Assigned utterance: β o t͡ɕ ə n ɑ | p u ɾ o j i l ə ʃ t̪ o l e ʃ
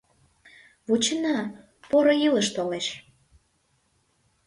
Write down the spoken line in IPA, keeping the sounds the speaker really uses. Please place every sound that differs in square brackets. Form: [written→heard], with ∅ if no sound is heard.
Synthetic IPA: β [o→u] t͡ɕ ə n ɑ | p [u→o] ɾ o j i l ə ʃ t̪ o l e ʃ